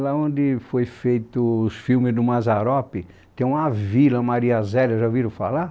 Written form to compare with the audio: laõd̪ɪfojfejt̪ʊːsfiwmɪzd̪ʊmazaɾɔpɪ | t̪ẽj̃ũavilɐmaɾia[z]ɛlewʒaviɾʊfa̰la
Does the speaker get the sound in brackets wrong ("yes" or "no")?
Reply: no